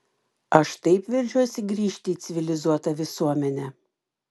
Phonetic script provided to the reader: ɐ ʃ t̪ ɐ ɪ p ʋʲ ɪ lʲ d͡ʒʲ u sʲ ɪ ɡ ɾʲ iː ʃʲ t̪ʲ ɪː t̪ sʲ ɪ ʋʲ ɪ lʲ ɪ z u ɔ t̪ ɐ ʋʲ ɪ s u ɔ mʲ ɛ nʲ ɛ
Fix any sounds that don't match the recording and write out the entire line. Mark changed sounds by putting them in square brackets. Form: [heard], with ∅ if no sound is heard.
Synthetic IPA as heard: ɐ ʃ t̪ ɐ ɪ p ʋʲ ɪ [ɾʲ] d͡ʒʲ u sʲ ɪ ɡ ɾʲ iː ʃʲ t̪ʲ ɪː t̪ sʲ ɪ ʋʲ ɪ lʲ ɪ z u ɔ t̪ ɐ ʋʲ ɪ s u ɔ mʲ ɛ nʲ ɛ

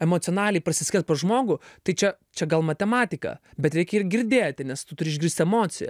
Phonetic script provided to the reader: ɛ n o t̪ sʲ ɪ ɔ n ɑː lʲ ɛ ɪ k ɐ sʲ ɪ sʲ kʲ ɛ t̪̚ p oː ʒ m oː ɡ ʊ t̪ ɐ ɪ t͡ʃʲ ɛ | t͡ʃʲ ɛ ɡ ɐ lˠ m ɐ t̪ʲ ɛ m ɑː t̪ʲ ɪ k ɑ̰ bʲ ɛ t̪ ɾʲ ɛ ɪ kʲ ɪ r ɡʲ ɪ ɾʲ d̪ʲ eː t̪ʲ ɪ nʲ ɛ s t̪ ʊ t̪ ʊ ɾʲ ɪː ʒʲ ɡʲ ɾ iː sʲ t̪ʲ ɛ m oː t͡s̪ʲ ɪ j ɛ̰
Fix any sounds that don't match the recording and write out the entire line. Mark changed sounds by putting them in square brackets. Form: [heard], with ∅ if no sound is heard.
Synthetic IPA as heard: ɛ [m] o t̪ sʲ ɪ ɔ n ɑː lʲ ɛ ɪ [p] ɐ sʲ ɪ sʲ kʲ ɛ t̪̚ p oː ʒ m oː ɡ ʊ t̪ ɐ ɪ t͡ʃʲ ɛ | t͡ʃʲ ɛ ɡ ɐ lˠ m ɐ t̪ʲ ɛ m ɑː t̪ʲ ɪ k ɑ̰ bʲ ɛ t̪ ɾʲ ɛ ɪ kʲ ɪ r ɡʲ ɪ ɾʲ d̪ʲ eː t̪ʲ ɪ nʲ ɛ s t̪ ʊ t̪ ʊ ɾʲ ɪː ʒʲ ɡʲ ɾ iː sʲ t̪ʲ ɛ m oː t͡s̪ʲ ɪ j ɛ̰

